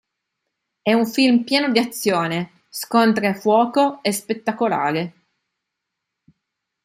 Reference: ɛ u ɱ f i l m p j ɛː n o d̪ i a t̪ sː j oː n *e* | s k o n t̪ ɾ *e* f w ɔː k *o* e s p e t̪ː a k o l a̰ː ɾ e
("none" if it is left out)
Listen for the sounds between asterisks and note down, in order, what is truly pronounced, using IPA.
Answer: e, e, o

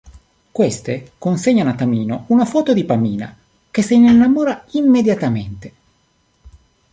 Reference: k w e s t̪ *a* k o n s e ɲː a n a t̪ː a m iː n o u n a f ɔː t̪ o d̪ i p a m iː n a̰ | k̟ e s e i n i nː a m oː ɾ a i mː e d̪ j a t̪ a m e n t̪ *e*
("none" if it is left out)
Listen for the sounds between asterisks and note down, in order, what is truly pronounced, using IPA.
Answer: e, e

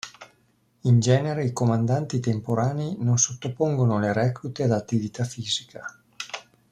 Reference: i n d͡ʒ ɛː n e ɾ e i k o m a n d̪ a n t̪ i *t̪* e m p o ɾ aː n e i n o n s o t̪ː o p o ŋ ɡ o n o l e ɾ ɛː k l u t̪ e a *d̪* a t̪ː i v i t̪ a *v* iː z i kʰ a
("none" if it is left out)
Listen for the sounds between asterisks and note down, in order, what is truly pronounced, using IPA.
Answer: t̪, d̪, f

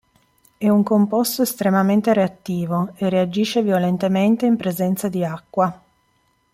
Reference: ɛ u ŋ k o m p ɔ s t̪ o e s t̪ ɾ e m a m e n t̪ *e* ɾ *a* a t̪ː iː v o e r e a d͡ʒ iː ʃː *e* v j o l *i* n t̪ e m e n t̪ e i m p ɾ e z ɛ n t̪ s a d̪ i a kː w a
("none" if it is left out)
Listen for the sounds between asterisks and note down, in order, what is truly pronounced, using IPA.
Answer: e, e, e, e

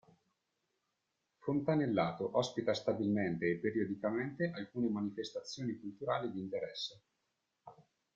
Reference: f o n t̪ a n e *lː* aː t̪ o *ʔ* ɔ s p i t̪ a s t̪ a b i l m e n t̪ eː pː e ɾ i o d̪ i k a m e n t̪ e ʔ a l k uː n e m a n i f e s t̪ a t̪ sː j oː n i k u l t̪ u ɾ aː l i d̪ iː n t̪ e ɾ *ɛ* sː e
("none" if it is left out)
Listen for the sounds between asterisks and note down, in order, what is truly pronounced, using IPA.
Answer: lː, ʔ, ɛ

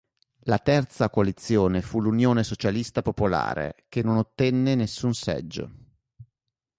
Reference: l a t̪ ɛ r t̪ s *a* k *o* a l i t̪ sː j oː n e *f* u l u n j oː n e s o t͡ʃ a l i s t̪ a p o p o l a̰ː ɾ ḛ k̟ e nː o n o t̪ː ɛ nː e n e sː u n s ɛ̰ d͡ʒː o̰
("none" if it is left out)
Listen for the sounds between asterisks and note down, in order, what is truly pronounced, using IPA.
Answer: a, o, f

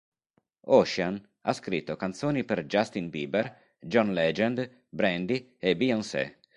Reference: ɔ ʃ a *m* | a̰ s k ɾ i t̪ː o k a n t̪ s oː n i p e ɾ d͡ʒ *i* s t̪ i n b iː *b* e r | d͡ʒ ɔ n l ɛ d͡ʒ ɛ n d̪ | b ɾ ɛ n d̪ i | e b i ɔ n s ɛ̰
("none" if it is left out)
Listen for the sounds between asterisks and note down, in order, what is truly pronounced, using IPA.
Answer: n, a, b

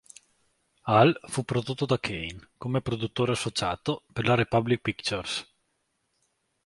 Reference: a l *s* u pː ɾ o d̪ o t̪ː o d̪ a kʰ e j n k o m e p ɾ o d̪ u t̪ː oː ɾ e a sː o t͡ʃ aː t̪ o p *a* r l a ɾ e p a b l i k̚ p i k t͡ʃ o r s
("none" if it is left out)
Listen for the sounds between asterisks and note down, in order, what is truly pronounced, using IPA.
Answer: f, e

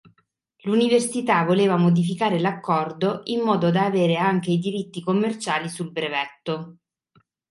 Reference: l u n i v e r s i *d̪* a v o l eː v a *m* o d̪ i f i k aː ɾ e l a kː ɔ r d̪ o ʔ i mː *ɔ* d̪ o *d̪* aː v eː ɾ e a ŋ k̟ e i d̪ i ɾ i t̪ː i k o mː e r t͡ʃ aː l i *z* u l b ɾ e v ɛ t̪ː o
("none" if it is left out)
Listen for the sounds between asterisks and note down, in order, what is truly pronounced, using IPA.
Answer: t̪, m, ɔː, d̪, s

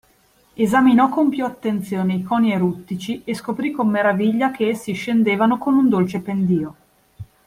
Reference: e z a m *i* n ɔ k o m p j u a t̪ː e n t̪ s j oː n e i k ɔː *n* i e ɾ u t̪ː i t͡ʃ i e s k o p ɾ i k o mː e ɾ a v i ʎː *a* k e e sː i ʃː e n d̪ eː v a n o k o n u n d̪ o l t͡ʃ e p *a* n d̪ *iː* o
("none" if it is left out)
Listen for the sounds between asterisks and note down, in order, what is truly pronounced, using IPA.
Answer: i, n, a, e, iː

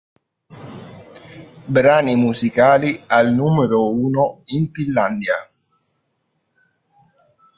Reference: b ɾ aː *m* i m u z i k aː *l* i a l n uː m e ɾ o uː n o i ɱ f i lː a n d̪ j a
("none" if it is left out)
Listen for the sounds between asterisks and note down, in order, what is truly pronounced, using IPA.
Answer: n, l

